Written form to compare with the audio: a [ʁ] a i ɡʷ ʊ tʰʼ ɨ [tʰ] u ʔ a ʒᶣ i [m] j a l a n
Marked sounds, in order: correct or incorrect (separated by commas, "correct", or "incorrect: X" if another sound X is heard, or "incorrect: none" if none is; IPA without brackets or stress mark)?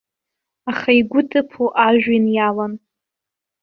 incorrect: χ, incorrect: pʰ, incorrect: n